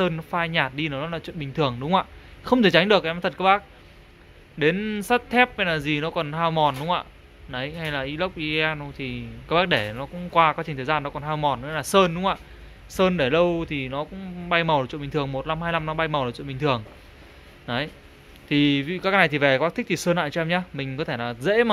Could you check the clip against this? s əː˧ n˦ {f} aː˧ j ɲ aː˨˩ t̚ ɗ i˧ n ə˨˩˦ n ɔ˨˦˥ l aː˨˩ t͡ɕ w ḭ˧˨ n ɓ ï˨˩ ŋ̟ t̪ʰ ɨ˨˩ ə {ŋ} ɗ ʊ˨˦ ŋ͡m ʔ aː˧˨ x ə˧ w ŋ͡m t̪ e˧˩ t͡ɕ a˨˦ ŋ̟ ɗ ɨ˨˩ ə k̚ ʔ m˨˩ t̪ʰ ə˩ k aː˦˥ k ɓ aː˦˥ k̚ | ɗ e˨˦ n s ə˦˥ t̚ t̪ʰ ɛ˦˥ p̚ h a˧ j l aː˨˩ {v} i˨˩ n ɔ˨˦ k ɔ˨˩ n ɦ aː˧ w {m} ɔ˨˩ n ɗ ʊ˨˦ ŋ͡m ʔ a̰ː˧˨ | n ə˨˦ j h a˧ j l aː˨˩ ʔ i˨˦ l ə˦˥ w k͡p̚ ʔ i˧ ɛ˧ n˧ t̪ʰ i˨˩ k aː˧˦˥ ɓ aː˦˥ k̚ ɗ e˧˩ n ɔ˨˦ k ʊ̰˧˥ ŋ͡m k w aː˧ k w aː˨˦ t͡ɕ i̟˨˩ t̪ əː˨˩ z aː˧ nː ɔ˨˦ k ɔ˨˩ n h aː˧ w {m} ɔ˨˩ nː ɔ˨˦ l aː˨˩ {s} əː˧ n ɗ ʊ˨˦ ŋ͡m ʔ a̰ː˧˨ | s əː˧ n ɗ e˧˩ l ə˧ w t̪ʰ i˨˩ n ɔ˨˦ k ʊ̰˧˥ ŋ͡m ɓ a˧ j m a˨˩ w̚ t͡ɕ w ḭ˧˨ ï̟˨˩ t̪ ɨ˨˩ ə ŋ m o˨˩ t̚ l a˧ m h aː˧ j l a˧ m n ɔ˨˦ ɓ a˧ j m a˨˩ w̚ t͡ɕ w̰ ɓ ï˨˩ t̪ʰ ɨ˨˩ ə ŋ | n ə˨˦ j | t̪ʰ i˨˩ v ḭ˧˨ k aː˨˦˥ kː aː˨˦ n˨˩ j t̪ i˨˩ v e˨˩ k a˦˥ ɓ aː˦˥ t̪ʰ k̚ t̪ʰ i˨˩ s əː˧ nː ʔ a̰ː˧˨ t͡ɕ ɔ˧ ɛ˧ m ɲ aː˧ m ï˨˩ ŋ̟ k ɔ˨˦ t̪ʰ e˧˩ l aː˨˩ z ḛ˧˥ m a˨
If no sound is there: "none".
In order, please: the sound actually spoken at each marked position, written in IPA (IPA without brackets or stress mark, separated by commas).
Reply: f, ŋ, z, m, m, s